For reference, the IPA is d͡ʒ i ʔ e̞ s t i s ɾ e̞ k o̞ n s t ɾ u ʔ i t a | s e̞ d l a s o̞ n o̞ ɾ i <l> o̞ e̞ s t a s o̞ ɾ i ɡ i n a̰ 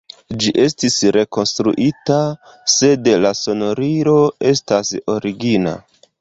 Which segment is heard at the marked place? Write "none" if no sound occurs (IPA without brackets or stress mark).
ɾ